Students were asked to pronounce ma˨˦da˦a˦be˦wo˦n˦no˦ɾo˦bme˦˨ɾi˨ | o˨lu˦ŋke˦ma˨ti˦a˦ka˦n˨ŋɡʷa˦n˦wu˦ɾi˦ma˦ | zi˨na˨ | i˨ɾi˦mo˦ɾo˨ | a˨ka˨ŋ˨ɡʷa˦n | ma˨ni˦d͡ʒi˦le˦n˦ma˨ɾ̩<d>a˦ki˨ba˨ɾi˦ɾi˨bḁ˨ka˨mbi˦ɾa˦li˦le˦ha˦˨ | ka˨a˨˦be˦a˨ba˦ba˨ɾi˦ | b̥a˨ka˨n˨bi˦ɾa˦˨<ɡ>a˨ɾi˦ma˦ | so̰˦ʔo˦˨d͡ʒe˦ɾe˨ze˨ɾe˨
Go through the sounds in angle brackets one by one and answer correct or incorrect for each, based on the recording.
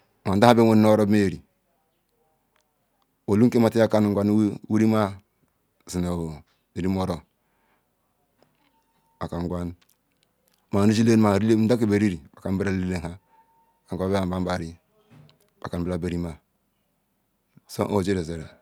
correct, incorrect: b

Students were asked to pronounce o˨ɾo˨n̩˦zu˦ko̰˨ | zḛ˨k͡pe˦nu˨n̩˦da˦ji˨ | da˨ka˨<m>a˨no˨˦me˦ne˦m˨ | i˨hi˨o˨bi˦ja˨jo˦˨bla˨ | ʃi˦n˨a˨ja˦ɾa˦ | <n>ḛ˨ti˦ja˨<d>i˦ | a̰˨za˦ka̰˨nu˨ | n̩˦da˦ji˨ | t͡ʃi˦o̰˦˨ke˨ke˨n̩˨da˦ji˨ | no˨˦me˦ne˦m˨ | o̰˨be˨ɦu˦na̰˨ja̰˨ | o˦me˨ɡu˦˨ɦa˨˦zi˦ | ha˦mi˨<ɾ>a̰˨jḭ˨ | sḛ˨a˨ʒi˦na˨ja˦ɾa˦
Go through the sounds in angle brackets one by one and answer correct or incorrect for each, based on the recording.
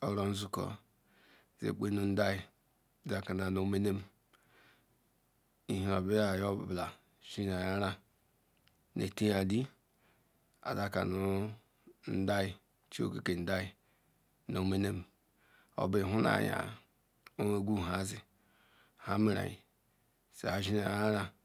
incorrect: n, correct, correct, correct

